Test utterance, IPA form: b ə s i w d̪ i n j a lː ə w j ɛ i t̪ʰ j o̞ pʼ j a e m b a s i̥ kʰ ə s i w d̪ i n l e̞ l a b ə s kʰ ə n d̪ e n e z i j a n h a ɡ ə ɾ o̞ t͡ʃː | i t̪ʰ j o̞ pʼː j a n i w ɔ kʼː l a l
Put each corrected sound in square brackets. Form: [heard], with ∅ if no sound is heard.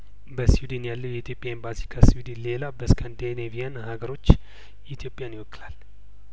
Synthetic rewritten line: b ə s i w d̪ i n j a lː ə w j ɛ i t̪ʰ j o̞ pʼ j a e m b a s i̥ kʰ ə s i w d̪ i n l e̞ l a b ə s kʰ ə n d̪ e n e [v] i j a n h a ɡ ə ɾ o̞ t͡ʃː | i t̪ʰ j o̞ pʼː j a n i w ɔ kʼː l a l